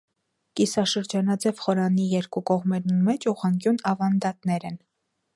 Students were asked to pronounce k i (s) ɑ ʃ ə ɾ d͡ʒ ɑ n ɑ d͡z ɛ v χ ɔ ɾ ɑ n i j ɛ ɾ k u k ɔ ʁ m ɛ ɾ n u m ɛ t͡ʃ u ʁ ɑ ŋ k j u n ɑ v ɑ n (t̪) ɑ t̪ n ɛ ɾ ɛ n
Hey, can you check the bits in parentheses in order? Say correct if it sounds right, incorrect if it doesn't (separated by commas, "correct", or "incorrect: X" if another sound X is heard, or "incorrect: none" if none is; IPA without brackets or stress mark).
correct, incorrect: d̪